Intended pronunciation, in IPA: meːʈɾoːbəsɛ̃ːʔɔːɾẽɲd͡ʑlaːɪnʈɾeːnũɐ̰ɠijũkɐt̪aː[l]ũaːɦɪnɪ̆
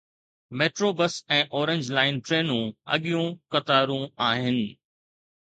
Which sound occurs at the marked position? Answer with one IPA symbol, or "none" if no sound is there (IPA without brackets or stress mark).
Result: ɾ